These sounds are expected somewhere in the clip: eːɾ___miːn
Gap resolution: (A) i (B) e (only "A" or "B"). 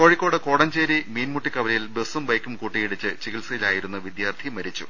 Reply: A